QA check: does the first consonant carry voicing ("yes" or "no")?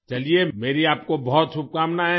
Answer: no